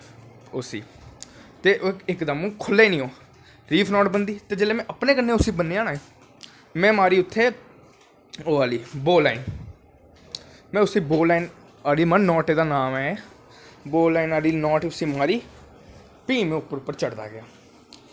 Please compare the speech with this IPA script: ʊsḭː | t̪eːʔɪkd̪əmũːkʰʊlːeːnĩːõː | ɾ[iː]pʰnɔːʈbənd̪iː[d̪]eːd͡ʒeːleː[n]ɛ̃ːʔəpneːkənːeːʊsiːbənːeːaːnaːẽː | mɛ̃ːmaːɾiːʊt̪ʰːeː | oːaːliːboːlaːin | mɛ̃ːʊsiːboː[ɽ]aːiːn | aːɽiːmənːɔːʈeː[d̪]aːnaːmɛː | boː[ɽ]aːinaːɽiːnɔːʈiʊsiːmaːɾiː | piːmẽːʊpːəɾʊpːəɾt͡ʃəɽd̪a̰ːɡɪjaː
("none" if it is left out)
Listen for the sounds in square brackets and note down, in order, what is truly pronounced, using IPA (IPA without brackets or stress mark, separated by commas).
iː, t̪, m, l, d̪, l